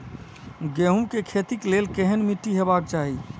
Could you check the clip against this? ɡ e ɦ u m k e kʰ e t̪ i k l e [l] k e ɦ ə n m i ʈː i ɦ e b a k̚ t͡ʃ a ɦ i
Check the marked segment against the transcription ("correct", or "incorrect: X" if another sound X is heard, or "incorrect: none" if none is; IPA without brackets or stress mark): correct